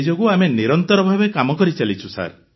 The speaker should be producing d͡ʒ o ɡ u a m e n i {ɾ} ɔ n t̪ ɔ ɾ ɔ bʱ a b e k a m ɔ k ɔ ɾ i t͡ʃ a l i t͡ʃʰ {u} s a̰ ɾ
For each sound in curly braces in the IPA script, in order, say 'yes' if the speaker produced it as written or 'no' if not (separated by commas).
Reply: yes, yes